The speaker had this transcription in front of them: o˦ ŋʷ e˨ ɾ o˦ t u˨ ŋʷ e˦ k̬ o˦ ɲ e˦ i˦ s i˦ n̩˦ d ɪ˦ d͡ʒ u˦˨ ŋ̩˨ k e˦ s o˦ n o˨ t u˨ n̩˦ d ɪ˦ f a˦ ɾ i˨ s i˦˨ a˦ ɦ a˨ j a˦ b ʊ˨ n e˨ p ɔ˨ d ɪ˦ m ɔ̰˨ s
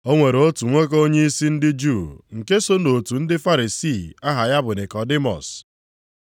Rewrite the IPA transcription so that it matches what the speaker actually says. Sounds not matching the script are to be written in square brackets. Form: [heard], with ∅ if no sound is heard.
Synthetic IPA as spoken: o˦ ŋʷ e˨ ɾ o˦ t u˨ ŋʷ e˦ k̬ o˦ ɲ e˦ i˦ s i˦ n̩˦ d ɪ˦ d͡ʒ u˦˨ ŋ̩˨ k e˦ s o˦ n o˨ t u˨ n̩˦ d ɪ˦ f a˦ ɾ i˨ s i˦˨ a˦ ɦ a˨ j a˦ b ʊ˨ n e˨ [k] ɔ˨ d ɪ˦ m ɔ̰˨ s

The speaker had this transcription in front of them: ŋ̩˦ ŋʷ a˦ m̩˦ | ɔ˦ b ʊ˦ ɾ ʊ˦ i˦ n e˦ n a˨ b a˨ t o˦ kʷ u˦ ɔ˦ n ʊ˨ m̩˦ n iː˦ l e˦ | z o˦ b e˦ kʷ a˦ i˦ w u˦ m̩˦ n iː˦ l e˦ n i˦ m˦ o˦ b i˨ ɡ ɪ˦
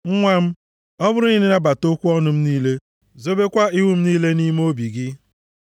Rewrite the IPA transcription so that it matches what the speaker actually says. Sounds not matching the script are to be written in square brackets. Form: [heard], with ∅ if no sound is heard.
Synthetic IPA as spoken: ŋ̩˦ ŋʷ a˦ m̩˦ | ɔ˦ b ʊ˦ ɾ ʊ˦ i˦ n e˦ n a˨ b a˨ t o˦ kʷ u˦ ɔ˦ n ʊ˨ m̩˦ n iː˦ l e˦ | z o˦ b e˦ kʷ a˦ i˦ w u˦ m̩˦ n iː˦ l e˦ n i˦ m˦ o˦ b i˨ ɡ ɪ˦

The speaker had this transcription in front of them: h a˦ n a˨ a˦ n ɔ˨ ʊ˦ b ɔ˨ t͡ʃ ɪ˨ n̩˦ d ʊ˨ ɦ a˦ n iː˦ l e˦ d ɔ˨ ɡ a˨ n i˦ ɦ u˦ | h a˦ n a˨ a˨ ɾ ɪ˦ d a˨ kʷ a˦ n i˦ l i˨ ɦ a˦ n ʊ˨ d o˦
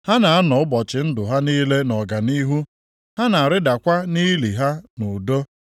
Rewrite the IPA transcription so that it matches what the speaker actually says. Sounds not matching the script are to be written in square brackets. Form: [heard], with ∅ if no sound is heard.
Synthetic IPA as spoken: h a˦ n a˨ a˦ n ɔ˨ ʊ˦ b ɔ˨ t͡ʃ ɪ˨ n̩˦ d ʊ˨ ɦ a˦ n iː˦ l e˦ [n] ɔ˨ ɡ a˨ n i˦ ɦ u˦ | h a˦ n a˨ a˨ ɾ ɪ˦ d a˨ kʷ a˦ n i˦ l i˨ ɦ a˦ n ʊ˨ d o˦

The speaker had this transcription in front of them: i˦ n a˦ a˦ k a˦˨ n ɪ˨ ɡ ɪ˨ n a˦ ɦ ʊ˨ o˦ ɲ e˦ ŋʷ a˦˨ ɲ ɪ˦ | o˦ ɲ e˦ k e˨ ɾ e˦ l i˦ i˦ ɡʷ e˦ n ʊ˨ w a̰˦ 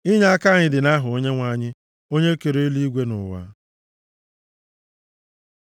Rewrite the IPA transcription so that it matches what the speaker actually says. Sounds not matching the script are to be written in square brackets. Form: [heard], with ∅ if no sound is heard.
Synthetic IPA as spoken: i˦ [ɲ] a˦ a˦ k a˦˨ [ɲ] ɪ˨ [d] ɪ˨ n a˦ ɦ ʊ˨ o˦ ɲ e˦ ŋʷ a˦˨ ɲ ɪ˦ | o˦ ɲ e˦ k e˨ ɾ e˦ l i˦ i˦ ɡʷ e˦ n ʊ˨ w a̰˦

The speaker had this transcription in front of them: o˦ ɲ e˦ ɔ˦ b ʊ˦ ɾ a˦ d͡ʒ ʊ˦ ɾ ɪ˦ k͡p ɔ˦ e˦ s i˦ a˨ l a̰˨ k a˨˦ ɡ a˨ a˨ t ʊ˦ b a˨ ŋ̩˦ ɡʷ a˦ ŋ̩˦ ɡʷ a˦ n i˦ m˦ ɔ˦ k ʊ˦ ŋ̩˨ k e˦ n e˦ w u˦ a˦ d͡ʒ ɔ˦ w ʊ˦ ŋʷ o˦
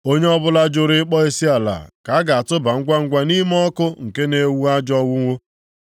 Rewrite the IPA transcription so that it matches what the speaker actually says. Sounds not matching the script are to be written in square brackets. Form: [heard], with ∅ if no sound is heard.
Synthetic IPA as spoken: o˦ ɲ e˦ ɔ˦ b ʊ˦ [l] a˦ d͡ʒ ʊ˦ ɾ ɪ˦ k͡p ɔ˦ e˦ s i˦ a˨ l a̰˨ k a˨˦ ɡ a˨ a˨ t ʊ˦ b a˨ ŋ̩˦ ɡʷ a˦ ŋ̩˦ ɡʷ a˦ n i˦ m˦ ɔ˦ k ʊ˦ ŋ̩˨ k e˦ n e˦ w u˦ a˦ d͡ʒ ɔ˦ w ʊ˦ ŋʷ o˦

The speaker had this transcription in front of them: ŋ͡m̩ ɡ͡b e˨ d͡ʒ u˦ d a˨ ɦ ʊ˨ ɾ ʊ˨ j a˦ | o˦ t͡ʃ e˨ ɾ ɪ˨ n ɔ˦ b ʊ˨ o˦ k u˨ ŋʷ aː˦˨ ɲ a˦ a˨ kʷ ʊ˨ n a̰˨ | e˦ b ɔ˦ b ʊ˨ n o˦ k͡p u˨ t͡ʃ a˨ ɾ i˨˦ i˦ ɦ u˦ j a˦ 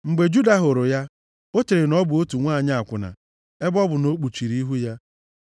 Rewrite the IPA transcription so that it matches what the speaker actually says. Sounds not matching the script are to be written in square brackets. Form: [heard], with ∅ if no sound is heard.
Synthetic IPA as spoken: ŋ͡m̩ ɡ͡b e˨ d͡ʒ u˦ d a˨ ɦ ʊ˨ ɾ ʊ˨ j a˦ | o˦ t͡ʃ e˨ ɾ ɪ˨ n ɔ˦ b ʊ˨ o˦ [t] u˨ ŋʷ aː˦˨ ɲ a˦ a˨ kʷ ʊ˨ n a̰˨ | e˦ b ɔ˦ b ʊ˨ n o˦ k͡p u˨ t͡ʃ [i˨] ɾ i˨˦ i˦ ɦ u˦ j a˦

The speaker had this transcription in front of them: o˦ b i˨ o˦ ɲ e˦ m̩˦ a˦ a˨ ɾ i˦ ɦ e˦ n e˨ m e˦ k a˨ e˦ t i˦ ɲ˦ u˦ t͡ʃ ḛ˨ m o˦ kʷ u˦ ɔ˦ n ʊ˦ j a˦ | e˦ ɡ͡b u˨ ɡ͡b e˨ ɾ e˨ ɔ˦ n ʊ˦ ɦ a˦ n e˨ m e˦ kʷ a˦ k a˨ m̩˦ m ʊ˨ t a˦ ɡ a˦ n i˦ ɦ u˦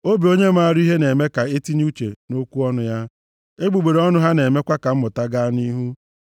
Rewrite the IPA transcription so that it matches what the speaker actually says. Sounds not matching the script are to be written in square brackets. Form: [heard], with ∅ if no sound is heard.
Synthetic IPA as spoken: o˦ b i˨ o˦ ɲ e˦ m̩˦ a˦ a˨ ɾ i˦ ɦ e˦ n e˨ m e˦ k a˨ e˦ t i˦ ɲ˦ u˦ t͡ʃ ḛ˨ [n] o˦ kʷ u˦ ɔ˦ n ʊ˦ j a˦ | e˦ ɡ͡b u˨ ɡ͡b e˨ ɾ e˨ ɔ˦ n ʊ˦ ɦ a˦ n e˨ m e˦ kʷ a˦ k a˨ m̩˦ m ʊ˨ t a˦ ɡ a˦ n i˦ ɦ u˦

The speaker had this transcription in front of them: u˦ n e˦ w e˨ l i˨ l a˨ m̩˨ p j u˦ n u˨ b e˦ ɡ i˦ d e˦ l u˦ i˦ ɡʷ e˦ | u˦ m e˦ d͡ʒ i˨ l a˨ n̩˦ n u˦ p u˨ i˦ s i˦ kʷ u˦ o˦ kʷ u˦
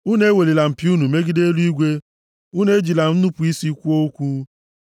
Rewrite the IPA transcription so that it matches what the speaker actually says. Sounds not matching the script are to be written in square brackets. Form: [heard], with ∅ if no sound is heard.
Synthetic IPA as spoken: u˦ n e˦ w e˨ l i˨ l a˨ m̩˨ p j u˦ n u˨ [m] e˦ ɡ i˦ d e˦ l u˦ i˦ ɡʷ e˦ | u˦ [n] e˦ d͡ʒ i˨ l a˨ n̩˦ n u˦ p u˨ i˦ s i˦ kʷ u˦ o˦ kʷ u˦

